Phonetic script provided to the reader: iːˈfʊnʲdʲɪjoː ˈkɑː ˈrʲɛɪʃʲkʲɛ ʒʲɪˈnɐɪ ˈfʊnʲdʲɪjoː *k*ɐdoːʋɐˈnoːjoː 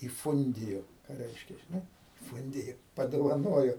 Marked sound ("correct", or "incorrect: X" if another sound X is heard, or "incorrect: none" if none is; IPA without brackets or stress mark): incorrect: p